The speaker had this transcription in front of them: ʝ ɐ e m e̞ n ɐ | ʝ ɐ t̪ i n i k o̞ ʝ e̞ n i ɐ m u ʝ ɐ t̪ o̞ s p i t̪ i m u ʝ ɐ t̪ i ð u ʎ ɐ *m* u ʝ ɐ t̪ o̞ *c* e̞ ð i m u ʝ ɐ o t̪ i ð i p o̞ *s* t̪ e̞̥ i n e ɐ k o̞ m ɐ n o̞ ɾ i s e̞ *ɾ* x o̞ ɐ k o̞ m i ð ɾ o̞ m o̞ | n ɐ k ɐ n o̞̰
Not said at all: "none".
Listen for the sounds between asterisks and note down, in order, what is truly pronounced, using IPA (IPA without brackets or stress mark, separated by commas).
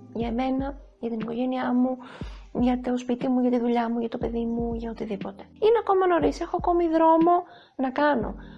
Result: m, p, none, none